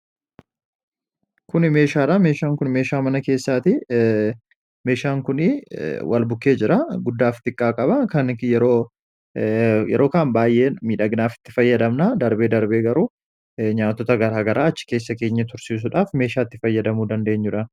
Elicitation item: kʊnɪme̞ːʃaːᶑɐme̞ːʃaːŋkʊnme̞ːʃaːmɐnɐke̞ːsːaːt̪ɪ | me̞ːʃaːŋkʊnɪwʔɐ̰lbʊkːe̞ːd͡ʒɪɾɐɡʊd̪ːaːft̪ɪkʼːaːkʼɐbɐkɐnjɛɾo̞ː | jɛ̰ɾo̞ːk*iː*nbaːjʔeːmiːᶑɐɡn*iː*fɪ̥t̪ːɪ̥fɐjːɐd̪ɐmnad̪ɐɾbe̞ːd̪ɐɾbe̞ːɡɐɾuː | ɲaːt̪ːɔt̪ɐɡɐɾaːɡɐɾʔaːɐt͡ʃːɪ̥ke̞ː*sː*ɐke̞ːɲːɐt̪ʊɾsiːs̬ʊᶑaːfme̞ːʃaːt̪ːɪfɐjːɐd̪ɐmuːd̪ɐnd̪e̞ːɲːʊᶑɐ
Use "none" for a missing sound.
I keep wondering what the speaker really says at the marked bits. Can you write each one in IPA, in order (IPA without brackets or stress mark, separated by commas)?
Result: aː, aː, sː